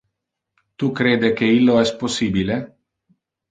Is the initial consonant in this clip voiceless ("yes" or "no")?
yes